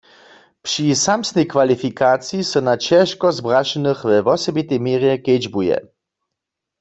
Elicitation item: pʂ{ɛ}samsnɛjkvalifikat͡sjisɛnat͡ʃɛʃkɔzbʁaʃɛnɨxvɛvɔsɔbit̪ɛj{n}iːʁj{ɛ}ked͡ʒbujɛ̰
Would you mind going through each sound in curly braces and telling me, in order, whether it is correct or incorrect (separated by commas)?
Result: incorrect, incorrect, correct